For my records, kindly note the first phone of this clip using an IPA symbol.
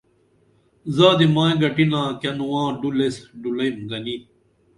z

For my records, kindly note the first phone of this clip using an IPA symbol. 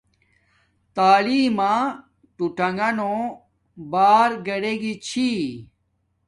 t̪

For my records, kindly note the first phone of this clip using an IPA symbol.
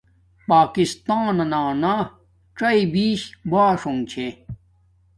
p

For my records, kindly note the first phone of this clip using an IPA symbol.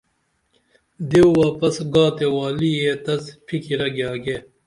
d̪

